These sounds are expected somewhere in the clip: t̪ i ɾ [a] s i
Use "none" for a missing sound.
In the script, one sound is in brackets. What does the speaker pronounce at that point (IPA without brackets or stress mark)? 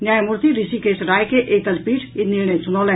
i